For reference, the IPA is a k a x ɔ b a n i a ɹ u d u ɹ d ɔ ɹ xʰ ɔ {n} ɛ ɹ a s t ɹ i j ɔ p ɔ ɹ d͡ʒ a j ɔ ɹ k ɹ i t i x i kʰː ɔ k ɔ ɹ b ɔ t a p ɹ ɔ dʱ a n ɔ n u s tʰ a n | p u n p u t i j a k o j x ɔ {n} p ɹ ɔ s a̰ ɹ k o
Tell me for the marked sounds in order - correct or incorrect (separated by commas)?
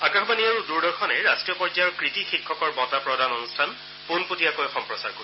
correct, incorrect